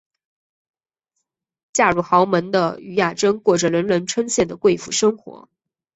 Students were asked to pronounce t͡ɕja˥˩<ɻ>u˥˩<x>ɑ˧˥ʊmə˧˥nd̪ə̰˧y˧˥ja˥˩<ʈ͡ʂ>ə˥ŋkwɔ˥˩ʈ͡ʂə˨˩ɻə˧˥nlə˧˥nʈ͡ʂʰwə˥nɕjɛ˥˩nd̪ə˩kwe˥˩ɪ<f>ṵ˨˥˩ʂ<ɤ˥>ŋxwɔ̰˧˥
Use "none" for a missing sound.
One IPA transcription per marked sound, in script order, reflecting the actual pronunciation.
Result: ɻ, x, ʈ͡ʂ, f, ɤ˥

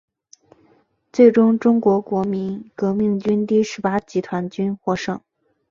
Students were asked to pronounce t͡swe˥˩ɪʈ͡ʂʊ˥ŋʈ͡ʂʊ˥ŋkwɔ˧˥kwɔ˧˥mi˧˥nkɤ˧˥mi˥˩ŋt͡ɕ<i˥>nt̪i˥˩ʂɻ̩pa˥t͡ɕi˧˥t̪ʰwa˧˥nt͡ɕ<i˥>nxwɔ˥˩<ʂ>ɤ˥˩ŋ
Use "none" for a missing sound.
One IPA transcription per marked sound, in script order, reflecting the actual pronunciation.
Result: y˥, y˥, ʂ

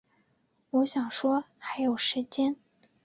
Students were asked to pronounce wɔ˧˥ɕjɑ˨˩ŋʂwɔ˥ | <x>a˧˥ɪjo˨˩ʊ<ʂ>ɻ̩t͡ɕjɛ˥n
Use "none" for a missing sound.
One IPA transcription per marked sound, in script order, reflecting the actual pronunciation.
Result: x, ʂ

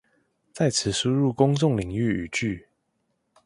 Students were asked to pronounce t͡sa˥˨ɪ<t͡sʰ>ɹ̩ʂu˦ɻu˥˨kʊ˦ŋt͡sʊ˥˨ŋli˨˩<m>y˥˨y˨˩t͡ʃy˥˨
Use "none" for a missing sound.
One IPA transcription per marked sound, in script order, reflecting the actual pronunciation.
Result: t͡sʰ, ŋ

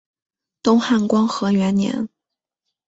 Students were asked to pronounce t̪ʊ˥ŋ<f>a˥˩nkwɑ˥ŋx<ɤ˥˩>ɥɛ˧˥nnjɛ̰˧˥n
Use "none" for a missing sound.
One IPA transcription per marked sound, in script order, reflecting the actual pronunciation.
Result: x, ɤ˧˥

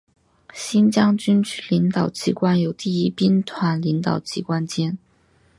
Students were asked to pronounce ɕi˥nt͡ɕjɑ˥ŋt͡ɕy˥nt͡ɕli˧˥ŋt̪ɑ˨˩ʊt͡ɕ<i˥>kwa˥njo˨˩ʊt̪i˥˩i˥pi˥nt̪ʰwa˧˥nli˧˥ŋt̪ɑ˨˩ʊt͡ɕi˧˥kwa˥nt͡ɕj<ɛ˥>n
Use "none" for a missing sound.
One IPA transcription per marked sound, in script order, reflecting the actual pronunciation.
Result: i˧˥, ɛ˥

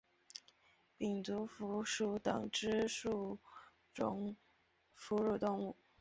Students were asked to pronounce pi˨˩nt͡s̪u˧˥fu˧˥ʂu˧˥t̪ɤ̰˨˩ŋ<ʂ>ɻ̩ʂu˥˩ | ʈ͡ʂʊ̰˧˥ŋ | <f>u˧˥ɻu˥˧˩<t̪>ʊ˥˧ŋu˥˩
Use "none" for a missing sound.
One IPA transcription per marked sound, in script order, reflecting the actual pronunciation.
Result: ʈ͡ʂ, f, t̪

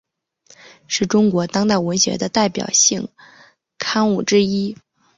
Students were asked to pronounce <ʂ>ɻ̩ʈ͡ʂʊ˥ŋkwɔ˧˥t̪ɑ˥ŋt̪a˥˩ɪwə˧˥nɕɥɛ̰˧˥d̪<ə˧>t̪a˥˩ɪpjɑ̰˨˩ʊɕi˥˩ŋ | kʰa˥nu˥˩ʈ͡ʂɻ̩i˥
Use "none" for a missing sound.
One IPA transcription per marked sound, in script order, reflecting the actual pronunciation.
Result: ʂ, ə˧

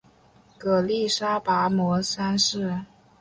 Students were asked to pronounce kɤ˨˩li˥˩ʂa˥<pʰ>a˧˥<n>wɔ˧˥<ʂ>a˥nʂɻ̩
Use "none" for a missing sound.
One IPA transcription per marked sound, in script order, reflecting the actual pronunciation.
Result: p, m, s

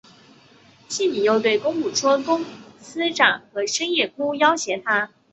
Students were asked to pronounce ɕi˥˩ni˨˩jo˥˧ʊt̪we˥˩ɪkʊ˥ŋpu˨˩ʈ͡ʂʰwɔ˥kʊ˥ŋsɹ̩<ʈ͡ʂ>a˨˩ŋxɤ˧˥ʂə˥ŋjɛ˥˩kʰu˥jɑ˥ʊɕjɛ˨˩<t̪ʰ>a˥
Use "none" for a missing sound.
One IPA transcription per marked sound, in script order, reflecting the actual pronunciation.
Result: ʈ͡ʂ, t̪ʰ

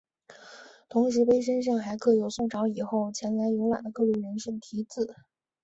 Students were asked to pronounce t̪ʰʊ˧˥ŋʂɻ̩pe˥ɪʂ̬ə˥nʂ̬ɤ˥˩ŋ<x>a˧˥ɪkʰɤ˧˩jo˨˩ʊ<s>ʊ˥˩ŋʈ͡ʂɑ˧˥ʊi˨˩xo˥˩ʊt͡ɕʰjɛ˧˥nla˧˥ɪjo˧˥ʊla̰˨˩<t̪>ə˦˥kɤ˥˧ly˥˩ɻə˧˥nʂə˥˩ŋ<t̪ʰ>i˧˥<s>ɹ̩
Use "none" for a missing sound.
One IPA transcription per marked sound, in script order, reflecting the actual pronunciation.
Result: x, s, d̪, t̪ʰ, t͡s

